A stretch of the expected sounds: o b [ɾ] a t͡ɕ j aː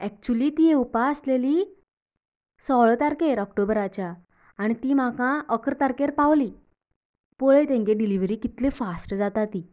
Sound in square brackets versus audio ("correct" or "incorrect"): correct